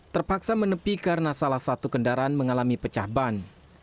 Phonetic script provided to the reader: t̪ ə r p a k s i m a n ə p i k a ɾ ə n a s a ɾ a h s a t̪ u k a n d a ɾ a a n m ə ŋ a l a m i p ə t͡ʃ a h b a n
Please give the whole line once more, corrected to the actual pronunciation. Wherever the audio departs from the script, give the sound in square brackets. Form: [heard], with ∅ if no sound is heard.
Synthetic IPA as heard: t̪ ə r p a k s [a] m [ə] n ə p i k a ɾ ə n a s a [l] a h s a t̪ u k [ə] n d a ɾ a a n m ə ŋ a l a m i p ə t͡ʃ a h b a n